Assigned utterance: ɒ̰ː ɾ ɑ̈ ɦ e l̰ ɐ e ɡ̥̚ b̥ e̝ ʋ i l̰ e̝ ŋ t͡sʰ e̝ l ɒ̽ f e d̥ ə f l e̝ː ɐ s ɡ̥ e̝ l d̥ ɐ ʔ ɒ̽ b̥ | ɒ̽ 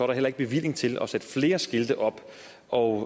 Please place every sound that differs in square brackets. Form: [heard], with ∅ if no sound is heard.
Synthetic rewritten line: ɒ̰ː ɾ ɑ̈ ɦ e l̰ ɐ e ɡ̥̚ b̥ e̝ ʋ i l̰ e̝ ŋ t͡sʰ e̝ l ɒ̽ [s] e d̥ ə f l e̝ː ɐ s ɡ̥ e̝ l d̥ [ə] ʔ ɒ̽ b̥ | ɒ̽